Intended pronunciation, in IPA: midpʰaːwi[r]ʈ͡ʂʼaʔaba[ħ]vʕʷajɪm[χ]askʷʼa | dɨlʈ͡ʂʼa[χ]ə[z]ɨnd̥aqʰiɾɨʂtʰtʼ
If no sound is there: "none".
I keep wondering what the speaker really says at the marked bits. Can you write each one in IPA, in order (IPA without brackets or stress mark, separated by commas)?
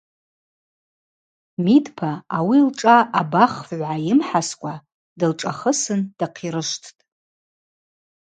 l, χ, ħ, χ, s